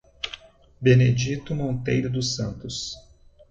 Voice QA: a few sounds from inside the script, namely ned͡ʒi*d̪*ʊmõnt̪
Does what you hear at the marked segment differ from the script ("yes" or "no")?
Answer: yes